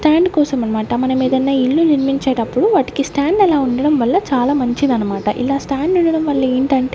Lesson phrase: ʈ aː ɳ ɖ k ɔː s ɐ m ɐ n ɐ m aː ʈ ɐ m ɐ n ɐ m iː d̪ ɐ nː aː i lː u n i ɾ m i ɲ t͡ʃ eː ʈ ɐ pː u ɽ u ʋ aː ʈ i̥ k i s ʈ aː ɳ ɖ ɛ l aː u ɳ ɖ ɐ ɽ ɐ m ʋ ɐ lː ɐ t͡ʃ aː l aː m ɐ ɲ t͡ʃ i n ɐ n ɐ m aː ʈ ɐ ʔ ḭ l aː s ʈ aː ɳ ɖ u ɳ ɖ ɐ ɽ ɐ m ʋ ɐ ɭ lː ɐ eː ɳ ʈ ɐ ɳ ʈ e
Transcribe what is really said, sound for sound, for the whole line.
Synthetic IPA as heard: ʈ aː ɳ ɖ k ɔː s ɐ m ɐ n ɐ m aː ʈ ɐ m ɐ n ɐ m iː d̪ ɐ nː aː i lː u n i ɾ m i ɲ t͡ʃ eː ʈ ɐ pː u ɽ u ʋ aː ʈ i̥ k i s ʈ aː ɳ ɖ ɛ l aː u ɳ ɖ ɐ ɽ ɐ m ʋ ɐ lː ɐ t͡ʃ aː l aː m ɐ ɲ t͡ʃ i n ɐ n ɐ m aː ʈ ɐ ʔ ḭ l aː s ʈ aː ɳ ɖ u ɳ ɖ ɐ ɽ ɐ m ʋ ɐ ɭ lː ɐ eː ɳ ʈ ɐ ɳ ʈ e